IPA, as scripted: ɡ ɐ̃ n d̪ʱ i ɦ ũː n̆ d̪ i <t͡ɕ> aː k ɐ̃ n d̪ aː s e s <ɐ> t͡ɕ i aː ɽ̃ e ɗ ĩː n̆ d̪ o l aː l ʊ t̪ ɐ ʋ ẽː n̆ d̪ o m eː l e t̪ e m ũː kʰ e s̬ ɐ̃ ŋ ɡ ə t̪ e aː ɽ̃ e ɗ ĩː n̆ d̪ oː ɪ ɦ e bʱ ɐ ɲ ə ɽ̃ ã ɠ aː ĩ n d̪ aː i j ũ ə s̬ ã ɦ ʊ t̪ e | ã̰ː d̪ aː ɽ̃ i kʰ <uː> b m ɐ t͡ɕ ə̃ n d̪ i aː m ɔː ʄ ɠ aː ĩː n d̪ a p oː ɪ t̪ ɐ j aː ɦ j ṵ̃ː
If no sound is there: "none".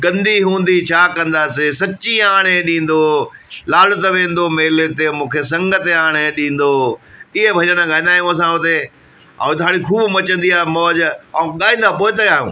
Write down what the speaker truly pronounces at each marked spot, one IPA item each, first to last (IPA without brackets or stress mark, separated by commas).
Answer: t͡ɕʰ, ɐ, uː